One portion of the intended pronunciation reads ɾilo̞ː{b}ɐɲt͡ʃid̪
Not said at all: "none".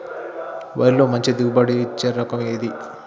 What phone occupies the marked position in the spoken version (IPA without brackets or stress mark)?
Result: m